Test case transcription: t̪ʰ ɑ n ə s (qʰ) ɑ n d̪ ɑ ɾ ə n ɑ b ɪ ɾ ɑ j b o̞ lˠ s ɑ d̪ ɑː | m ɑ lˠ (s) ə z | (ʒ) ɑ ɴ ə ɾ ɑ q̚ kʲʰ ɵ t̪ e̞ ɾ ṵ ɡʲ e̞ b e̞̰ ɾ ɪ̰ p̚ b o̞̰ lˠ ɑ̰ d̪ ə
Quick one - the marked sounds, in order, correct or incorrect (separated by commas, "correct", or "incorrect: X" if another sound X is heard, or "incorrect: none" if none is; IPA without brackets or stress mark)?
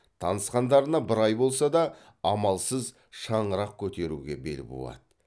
incorrect: q, correct, incorrect: ʃ